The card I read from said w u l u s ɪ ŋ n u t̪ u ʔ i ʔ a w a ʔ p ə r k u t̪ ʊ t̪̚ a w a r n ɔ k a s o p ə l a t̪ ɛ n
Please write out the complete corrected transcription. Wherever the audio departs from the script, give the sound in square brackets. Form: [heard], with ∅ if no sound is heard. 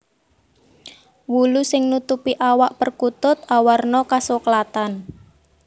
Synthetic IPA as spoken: w u l u s ɪ ŋ n u t̪ u [p] i ʔ a w a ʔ p ə r k u t̪ ʊ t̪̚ a w a r n ɔ k a s o [k] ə l a t̪ [a] n